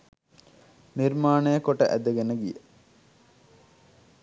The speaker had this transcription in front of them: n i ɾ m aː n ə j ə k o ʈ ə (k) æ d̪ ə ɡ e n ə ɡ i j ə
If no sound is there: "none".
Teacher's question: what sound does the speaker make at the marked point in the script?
ʔ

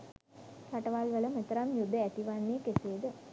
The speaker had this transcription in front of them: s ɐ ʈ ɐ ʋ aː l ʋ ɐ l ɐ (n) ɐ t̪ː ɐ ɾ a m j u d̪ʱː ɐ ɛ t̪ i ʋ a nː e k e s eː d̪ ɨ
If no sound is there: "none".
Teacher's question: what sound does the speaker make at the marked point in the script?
m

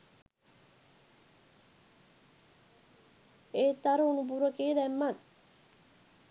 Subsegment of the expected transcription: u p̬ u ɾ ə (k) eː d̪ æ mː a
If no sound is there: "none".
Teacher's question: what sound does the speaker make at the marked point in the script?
k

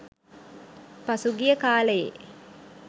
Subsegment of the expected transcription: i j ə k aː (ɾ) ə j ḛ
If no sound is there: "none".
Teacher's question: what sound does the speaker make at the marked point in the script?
l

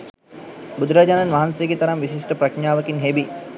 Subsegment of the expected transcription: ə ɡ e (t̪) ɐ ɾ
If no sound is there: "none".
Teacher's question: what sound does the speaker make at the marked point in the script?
t̪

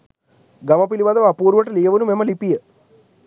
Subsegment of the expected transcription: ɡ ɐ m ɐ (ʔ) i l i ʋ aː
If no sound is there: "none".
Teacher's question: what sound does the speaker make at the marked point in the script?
p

